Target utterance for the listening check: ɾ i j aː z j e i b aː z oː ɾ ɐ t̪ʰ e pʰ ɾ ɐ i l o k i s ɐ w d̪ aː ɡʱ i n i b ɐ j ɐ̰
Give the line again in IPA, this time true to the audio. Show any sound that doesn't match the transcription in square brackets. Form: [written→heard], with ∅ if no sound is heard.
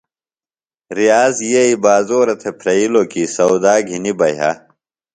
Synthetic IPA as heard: ɾ i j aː z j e i b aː z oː ɾ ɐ t̪ʰ e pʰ ɾ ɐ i l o k i s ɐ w d̪ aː ɡʱ i n i b ɐ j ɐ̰